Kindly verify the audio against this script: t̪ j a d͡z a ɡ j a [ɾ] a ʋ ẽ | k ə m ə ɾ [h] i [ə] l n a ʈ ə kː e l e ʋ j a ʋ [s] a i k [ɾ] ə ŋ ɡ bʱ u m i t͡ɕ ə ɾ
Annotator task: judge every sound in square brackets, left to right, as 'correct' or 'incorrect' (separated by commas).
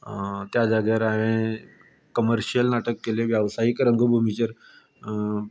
correct, incorrect, correct, correct, correct